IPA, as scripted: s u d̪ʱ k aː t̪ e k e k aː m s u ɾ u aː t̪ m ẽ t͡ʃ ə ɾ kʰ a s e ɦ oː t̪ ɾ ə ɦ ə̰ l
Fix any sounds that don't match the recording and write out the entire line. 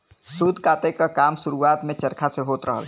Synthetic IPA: s u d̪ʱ k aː t̪ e k a k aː m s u ɾ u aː t̪ m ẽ t͡ʃ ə ɾ kʰ a s e ɦ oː t̪ ɾ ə ɦ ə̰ l